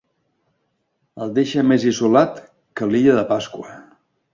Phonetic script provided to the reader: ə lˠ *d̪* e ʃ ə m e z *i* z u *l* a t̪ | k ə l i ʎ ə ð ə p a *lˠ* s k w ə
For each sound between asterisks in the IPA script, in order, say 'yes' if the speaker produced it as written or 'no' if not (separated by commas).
yes, yes, yes, no